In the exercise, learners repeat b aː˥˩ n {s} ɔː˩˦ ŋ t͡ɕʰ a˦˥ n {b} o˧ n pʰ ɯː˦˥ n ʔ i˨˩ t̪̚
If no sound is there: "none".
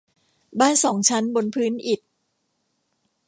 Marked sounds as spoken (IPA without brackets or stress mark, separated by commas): s, b